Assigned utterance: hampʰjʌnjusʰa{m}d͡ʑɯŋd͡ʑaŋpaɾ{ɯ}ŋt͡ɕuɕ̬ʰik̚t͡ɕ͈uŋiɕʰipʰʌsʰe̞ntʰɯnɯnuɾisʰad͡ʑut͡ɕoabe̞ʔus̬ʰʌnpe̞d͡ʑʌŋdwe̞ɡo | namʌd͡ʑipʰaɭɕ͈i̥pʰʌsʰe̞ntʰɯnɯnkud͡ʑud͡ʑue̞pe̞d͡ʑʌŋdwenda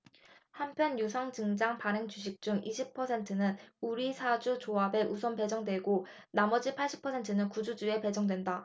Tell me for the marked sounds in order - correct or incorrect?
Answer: incorrect: ŋ, correct

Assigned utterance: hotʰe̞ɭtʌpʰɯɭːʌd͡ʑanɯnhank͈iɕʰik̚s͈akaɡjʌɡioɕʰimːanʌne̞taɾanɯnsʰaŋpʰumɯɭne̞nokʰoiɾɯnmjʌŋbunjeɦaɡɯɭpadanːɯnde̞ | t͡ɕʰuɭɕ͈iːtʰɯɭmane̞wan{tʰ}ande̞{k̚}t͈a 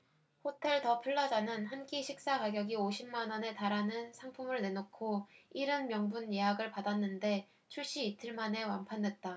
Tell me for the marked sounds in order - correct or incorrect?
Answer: incorrect: pʰ, incorrect: t̚

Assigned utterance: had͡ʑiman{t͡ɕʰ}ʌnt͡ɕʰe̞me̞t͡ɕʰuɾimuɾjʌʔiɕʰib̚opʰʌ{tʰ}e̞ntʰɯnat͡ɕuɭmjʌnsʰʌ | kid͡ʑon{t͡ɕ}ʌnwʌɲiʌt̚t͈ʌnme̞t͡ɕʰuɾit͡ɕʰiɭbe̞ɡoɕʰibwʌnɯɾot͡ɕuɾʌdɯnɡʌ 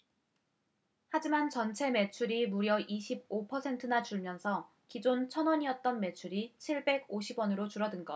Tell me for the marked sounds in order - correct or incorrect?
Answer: incorrect: t͡ɕ, incorrect: sʰ, incorrect: t͡ɕʰ

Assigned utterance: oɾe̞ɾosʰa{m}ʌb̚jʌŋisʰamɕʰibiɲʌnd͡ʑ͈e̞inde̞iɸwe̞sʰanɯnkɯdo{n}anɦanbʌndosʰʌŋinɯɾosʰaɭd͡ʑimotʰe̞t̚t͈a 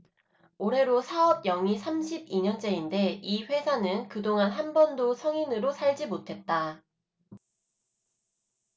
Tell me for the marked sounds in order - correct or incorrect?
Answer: incorrect: none, incorrect: ŋ

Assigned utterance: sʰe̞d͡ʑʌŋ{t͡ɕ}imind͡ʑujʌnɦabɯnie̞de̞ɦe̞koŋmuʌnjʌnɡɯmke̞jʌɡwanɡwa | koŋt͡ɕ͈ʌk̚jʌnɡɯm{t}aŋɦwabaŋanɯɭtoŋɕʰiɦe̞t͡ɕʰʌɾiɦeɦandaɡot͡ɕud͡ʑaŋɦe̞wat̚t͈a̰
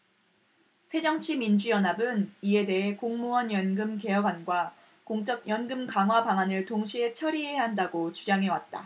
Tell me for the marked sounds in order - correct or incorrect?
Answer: incorrect: t͡ɕʰ, incorrect: k

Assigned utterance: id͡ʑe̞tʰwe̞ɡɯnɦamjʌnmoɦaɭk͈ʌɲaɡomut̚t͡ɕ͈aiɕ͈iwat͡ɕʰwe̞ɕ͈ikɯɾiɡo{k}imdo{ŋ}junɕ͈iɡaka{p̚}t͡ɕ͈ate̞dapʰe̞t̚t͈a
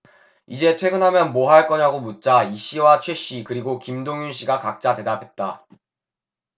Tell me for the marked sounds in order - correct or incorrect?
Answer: correct, correct, incorrect: k̚

